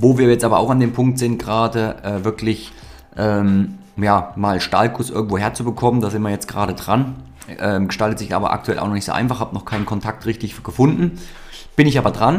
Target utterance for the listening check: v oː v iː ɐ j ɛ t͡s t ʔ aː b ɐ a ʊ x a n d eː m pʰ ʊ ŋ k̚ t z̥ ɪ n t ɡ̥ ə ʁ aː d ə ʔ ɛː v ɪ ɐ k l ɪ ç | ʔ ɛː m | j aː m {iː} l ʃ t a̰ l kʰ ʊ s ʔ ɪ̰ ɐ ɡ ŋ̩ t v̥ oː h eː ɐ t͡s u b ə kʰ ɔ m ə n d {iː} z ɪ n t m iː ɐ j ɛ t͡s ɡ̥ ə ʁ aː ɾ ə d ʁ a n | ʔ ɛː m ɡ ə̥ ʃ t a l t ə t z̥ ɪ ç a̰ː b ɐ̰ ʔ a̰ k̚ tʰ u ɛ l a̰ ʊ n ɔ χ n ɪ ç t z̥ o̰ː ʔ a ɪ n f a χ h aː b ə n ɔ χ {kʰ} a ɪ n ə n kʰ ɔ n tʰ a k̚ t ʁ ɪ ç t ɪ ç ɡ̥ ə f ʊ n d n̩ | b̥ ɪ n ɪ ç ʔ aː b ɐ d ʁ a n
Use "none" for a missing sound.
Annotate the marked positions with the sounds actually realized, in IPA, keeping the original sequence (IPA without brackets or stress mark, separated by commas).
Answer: aː, aː, kʰ